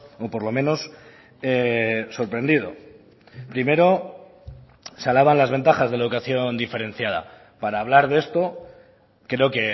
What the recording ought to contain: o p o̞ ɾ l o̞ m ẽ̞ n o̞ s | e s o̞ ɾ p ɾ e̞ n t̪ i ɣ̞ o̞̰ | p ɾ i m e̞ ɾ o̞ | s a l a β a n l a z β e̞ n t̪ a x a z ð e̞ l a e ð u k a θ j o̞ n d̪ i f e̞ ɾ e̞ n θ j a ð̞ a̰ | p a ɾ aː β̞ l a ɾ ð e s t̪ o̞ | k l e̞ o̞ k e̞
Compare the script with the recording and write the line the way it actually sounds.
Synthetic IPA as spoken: o p o̞ ɾ l o̞ m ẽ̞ n o̞ s | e s o̞ ɾ p ɾ e̞ n d̪ i ð̞ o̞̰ | p ɾ i m e̞ ɾ o̞ | s a l a β a n l a z β e̞ n t̪ a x a z ð e̞ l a e ð u k a θ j o̞ n d̪ i f e̞ ɾ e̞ n θ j a ð̞ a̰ | p a ɾ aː β̞ l a ɾ ð e s t̪ o̞ | k ɾ e̞ o̞ k e̞